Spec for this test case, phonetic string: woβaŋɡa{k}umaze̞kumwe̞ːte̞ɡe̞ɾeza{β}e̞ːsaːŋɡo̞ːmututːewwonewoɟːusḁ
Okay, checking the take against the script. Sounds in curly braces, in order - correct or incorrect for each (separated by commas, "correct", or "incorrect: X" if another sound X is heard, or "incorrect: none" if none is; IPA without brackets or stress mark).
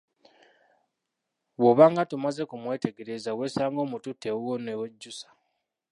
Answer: incorrect: t, incorrect: w